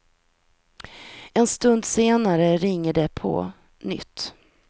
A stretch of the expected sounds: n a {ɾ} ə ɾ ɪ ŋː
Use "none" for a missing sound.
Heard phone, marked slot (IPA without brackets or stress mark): ɾ